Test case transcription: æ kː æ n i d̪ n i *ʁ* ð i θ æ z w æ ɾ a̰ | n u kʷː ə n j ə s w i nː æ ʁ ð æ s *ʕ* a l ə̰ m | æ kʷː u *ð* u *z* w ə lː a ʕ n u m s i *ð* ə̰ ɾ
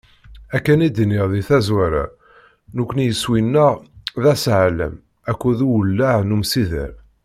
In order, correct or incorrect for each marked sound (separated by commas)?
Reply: correct, correct, correct, incorrect, correct